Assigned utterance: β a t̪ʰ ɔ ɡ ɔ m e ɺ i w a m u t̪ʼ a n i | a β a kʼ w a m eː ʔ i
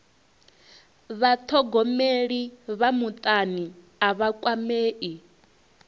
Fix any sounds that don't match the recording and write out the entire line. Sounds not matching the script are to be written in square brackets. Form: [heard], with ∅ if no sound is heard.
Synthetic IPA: β a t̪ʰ ɔ ɡ ɔ m e ɺ i [β] a m u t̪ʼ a n i | a β a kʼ w a m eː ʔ i